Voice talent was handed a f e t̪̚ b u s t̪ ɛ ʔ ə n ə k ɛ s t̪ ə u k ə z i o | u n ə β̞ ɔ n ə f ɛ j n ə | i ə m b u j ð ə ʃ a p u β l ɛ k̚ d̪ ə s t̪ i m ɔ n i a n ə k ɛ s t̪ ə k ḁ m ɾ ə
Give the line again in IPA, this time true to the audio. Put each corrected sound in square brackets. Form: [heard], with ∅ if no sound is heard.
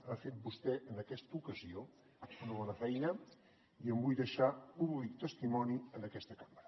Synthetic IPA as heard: a f e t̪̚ b u s t̪ ɛ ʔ ə n ə k ɛ s t̪ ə u k ə z i o | u n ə β̞ ɔ n ə f ɛ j n ə | i ə m b u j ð ə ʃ a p u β l [i] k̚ [t̪] ə s t̪ i m ɔ n i [ə] n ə k ɛ s t̪ ə k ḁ m ɾ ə